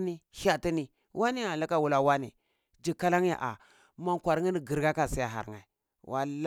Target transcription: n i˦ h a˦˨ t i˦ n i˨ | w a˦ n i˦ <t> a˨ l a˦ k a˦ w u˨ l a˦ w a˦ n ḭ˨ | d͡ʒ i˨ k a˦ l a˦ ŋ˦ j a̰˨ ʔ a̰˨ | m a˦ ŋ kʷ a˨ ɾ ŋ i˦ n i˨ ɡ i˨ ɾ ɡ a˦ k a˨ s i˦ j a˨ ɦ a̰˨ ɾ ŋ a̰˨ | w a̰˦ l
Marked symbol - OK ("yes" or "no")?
no